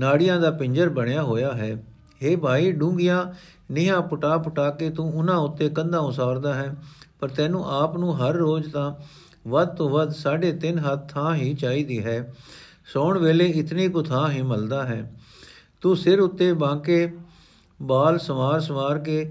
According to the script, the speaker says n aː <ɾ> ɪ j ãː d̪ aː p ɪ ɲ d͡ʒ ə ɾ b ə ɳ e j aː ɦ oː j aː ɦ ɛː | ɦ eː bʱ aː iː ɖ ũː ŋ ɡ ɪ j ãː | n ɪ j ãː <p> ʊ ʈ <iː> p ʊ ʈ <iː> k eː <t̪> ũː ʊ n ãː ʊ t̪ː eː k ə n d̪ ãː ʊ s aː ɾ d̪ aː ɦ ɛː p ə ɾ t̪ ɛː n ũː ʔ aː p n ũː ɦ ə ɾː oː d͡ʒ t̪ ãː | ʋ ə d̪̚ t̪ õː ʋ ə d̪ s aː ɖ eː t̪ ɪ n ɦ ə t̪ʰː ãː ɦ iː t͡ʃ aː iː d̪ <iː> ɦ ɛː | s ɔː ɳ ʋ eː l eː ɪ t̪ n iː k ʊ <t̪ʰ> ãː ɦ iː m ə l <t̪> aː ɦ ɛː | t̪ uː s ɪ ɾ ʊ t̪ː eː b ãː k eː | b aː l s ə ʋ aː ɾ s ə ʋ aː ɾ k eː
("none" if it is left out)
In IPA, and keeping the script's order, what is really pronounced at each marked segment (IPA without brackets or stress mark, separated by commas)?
ɽ, p, aː, aː, t̪, iː, t̪ʰ, d̪